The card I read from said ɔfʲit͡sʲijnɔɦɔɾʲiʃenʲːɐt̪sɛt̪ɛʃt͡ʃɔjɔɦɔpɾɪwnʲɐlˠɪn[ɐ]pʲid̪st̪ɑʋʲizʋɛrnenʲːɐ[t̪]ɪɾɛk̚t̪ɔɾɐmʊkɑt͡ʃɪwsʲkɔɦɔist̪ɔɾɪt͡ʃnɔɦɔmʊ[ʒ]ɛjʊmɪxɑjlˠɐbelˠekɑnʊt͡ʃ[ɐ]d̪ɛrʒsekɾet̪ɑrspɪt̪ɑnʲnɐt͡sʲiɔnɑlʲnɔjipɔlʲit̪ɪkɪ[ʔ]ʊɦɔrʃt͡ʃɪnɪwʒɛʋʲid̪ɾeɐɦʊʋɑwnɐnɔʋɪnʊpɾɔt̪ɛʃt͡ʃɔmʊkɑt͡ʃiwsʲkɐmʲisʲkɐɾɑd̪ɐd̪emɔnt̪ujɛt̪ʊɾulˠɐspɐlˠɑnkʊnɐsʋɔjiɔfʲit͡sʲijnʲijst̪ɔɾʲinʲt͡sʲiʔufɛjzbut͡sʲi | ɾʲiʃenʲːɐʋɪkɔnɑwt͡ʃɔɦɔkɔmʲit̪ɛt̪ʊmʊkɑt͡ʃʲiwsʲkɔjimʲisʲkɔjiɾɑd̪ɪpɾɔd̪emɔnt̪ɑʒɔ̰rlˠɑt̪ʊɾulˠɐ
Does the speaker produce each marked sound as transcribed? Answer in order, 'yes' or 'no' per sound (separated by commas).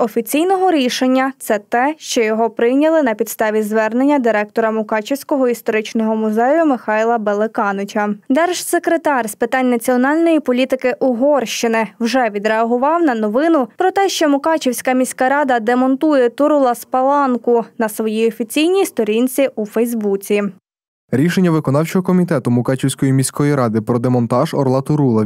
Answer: yes, no, no, yes, yes